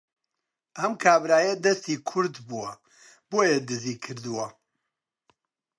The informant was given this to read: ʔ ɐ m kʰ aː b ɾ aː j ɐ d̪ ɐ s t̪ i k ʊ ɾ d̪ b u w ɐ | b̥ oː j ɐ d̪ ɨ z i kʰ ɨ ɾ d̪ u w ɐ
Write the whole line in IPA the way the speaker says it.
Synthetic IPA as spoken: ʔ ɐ m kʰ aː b ɾ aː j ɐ d̪ ɐ s t̪ i kʰ ʊ ɾ d̪ b u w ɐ | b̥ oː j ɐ d̪ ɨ z i kʰ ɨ ɾ d̪ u w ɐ